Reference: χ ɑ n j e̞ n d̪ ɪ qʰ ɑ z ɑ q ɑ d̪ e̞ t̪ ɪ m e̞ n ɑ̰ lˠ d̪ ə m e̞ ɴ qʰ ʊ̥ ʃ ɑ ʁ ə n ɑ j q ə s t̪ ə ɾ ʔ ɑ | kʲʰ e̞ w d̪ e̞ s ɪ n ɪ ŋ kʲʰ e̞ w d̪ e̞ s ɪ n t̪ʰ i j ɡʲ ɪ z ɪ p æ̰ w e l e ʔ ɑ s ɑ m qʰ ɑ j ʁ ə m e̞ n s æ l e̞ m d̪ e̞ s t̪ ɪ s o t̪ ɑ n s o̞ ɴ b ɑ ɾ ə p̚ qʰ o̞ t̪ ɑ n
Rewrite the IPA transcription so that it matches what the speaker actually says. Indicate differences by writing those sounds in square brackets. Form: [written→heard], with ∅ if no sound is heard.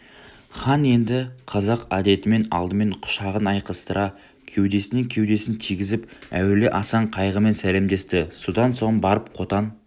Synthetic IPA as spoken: χ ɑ n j e̞ n d̪ ɪ qʰ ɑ z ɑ q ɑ d̪ e̞ t̪ ɪ m e̞ n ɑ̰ lˠ d̪ ə m e̞ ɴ qʰ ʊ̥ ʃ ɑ ʁ ə n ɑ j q ə s t̪ ə ɾ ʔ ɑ | kʲʰ e̞ w d̪ e̞ s ɪ n ɪ ŋ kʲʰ e̞ w d̪ e̞ s ɪ n t̪ʰ i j ɡʲ ɪ z ɪ p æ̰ w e l e ʔ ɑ s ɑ [m→ɴ] qʰ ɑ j ʁ ə m e̞ n s æ l e̞ m d̪ e̞ s t̪ ɪ s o [t̪→d̪] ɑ n s o̞ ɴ b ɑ ɾ ə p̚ qʰ o̞ t̪ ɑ n